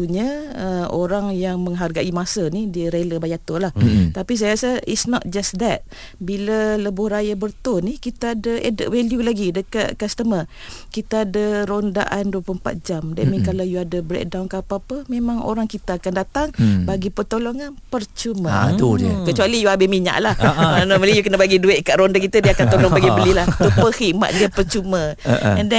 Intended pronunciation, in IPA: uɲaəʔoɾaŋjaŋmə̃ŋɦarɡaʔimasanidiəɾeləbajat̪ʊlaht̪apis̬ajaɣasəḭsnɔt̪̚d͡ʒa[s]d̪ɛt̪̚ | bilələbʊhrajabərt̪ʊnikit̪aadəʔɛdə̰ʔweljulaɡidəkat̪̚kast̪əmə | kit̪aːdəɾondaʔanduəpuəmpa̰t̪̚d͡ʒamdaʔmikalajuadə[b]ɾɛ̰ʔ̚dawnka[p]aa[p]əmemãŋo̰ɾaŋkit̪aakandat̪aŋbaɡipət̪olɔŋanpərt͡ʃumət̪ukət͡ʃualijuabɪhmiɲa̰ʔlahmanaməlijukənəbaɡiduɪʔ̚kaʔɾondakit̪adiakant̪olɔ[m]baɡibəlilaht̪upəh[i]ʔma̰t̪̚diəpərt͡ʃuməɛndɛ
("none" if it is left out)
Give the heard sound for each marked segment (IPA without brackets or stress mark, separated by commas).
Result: s, b, p, p, ŋ, i